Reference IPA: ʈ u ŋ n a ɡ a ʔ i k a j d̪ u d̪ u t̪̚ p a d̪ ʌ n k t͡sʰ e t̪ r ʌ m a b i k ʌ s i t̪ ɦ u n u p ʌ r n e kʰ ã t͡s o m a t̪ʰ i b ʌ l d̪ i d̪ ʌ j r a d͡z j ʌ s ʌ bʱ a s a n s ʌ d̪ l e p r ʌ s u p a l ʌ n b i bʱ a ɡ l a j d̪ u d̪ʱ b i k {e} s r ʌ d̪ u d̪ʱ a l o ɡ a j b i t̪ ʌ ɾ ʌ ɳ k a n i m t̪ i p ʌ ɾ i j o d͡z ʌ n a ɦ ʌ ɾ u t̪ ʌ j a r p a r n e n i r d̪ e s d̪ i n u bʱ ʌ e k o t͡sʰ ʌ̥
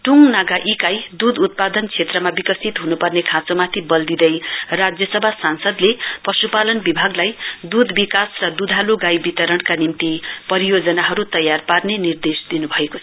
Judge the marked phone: incorrect: a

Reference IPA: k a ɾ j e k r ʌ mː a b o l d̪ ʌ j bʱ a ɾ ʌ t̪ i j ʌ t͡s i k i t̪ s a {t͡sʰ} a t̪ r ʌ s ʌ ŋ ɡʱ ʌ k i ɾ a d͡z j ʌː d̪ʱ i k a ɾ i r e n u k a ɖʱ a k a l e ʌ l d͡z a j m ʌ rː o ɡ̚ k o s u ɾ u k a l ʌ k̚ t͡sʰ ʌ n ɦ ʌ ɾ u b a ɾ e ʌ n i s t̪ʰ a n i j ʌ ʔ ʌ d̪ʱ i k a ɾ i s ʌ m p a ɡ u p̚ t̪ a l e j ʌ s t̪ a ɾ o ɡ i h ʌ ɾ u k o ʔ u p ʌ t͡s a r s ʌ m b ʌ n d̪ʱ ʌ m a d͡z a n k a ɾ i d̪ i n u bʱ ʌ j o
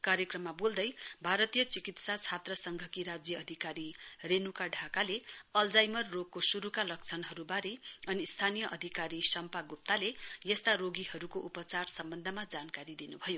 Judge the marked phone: correct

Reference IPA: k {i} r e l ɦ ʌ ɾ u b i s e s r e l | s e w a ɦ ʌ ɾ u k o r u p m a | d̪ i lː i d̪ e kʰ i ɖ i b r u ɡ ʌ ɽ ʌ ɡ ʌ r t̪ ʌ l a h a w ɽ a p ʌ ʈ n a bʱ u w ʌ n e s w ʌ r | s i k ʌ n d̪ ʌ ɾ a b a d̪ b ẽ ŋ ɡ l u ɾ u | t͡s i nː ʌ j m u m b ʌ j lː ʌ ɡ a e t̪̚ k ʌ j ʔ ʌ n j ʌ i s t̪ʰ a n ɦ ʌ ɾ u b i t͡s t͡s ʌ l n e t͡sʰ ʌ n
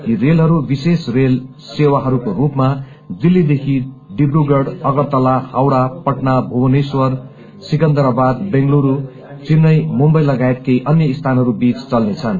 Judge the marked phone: correct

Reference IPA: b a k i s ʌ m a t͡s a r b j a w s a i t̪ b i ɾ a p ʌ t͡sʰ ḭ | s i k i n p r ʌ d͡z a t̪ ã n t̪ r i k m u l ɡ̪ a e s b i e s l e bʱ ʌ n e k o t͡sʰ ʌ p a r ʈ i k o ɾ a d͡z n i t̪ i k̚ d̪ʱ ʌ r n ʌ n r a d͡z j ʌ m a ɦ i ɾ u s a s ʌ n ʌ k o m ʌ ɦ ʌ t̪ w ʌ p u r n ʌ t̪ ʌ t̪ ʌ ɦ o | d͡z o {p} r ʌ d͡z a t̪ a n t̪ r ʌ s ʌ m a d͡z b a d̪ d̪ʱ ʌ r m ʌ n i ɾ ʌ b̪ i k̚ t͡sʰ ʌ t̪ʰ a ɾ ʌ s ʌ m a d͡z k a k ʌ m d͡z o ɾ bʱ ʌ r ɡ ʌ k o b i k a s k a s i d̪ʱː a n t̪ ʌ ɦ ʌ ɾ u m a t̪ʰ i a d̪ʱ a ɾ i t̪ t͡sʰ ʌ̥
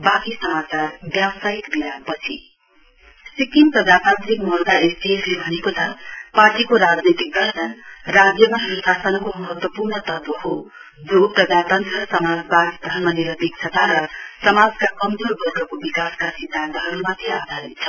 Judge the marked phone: correct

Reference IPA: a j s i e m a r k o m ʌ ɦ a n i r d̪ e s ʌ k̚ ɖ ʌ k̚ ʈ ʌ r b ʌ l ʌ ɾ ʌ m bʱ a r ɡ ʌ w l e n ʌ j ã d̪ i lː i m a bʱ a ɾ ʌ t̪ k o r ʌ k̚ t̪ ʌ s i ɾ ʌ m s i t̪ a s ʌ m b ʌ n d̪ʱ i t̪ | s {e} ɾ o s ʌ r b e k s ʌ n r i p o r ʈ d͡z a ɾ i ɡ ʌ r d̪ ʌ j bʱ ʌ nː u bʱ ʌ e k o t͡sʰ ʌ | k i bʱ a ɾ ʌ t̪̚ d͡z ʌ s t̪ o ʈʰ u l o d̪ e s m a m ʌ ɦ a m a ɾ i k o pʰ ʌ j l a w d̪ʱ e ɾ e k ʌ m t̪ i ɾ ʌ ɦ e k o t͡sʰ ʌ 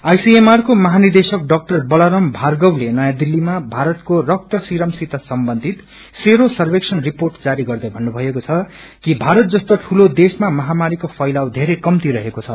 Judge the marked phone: correct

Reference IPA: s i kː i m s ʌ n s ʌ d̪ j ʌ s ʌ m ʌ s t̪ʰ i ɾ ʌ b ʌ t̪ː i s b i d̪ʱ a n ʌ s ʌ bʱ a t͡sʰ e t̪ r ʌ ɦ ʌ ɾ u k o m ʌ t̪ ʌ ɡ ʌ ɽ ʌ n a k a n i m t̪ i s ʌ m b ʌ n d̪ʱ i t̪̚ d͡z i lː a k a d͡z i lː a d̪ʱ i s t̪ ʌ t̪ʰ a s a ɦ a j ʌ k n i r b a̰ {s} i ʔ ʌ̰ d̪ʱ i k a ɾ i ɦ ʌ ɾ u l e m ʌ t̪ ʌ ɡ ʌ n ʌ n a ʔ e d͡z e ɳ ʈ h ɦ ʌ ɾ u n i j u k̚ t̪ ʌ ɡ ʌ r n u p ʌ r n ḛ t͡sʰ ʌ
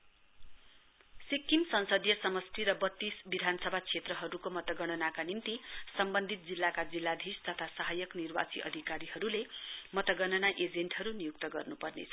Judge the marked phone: incorrect: t͡s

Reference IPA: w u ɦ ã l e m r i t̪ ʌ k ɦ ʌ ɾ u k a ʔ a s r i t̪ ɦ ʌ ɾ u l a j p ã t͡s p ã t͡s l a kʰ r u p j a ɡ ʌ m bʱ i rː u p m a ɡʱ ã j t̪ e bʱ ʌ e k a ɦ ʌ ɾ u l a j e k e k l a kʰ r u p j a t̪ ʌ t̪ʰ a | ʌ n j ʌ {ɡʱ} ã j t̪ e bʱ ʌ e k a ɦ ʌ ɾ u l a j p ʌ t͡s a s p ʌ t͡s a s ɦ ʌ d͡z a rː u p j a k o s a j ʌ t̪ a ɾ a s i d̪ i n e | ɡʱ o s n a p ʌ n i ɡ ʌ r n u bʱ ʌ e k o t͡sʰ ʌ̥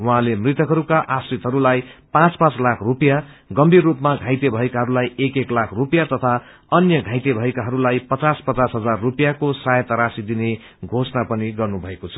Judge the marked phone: correct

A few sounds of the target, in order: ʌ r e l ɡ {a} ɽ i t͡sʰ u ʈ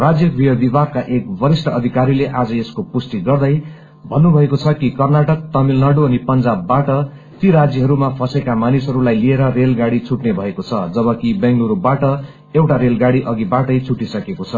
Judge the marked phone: correct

